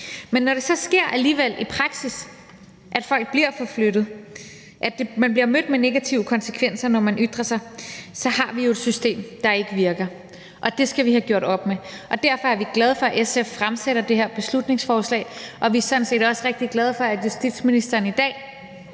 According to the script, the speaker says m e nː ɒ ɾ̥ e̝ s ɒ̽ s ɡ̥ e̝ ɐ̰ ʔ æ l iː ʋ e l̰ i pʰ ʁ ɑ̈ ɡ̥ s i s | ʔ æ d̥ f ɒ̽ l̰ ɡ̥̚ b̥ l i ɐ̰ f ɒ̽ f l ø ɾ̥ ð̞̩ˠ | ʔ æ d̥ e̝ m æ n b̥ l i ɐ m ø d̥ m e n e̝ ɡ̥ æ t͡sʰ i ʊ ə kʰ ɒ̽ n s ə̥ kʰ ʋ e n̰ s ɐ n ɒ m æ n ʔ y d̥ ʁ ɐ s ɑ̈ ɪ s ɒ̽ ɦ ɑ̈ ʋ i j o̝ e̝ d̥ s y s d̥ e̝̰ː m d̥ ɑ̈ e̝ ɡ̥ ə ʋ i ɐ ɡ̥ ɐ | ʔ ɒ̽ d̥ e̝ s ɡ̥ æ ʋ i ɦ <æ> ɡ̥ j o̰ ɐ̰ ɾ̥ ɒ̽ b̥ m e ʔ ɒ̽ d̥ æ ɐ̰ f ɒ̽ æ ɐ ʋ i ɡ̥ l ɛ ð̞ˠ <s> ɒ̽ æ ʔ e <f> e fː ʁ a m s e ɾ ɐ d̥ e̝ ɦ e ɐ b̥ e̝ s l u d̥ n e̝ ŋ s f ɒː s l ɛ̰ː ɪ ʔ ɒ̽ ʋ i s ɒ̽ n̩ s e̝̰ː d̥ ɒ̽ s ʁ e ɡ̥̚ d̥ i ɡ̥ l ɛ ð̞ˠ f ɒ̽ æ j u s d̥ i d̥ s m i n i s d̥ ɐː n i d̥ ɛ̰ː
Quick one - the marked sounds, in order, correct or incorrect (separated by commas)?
correct, incorrect, incorrect